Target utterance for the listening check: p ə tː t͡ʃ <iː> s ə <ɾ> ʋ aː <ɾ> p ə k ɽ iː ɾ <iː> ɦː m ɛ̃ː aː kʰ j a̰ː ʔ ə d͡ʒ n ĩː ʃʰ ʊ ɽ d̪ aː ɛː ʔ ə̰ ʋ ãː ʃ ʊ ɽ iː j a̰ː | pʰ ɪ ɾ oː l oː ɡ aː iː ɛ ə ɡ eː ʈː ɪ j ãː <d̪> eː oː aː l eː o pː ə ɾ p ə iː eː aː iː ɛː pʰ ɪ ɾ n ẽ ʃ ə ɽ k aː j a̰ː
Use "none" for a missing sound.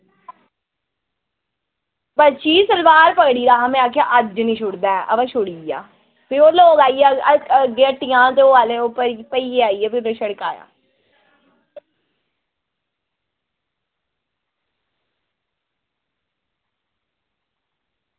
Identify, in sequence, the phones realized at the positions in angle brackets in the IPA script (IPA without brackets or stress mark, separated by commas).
iː, l, ɾ, aː, t̪